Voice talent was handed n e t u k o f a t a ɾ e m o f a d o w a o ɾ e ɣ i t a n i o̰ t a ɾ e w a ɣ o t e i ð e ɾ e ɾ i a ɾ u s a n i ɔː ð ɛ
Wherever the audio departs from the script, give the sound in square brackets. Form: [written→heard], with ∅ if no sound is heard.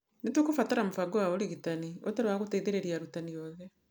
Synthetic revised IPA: n e t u k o f a t a ɾ [e→a] m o f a [d→ɡ] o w a o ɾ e ɣ i t a n i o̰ t a ɾ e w a ɣ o t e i ð e ɾ e ɾ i a ɾ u [s→t] a n i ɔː ð ɛ